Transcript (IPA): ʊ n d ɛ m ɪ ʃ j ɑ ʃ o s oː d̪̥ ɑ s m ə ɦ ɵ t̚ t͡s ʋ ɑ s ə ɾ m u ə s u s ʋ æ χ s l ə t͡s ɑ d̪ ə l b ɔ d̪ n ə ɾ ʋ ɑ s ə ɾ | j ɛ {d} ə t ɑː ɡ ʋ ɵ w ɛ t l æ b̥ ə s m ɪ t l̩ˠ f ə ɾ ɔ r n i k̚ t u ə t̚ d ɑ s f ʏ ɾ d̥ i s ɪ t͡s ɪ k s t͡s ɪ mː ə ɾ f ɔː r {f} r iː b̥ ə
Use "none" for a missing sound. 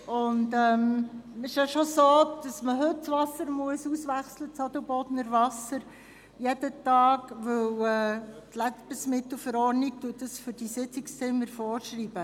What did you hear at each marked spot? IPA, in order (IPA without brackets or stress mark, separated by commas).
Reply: d, ʃ